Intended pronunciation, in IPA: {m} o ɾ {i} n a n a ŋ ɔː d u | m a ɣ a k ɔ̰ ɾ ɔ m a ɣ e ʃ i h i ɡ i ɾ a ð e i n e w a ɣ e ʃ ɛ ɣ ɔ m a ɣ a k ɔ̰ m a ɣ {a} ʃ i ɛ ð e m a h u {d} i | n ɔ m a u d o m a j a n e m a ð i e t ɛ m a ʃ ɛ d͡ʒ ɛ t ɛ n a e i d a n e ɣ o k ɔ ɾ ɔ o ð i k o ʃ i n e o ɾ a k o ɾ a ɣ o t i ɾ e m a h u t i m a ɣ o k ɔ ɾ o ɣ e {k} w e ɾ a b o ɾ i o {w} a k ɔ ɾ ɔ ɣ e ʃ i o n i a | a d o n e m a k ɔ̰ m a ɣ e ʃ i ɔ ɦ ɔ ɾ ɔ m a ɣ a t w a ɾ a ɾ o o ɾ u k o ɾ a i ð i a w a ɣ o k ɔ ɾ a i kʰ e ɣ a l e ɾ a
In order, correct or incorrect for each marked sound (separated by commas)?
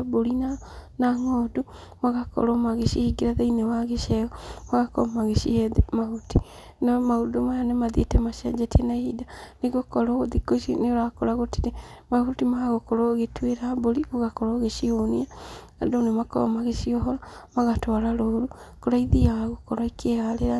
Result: incorrect, correct, incorrect, incorrect, incorrect, incorrect